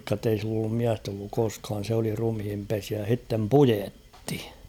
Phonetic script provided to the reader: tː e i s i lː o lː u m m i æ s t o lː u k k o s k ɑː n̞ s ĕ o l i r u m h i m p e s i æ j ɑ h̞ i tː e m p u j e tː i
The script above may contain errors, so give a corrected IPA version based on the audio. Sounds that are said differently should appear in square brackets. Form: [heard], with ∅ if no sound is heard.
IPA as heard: tː e i s i lː o lː u m m i æ s t o lː u k k o s k ɑː n̞ s ĕ o l i r u m h i m p e s i æ j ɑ h̞ i tː e m p u j e tː i